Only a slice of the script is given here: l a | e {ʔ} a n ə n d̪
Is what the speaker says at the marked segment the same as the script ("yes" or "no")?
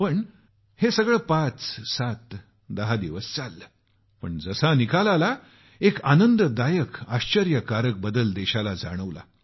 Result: no